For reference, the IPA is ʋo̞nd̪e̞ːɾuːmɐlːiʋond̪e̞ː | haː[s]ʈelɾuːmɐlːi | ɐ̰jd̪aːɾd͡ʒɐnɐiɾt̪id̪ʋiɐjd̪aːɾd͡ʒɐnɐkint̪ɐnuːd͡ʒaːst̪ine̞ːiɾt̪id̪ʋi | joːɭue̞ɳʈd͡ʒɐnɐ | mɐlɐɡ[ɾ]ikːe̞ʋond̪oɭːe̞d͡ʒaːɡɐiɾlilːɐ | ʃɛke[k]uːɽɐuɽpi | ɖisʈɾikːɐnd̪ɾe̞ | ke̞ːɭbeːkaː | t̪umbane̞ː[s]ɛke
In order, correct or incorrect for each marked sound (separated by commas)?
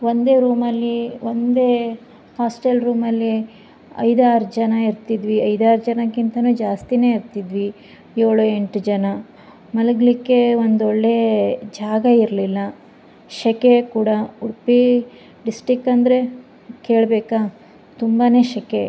correct, incorrect, correct, incorrect